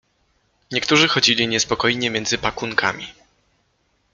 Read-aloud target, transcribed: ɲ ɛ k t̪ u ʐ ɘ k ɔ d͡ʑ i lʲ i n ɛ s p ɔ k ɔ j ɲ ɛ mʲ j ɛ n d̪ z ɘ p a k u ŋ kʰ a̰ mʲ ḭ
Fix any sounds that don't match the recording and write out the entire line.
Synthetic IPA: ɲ ɛ k t̪ u ʐ ɘ x ɔ d͡ʑ i lʲ i ɲ ɛ s p ɔ k ɔ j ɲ ɛ mʲ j ɛ n d̪ z ɘ p a k u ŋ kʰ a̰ mʲ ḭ